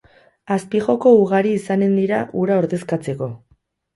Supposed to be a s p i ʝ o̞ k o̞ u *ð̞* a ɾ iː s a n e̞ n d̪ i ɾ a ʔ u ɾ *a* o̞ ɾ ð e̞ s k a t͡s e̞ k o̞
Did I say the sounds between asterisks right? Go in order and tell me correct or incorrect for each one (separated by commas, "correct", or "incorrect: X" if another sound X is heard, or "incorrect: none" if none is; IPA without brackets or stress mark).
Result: incorrect: ɣ̞, correct